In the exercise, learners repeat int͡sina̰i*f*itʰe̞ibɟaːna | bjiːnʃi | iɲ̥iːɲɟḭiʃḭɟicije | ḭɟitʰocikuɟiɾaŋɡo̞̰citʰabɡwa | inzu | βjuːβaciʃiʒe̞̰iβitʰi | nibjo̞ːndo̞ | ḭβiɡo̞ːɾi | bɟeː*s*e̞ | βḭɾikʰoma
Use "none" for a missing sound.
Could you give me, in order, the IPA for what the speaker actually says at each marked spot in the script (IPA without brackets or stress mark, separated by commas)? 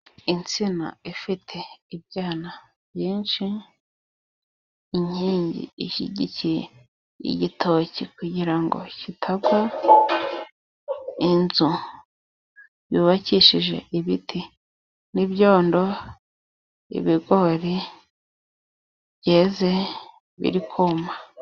f, z